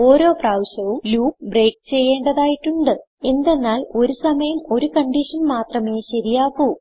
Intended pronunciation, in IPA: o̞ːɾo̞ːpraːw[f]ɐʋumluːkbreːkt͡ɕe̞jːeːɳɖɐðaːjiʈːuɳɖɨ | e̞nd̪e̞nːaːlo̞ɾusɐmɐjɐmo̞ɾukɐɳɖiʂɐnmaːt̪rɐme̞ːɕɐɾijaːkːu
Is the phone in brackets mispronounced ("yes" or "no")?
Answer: yes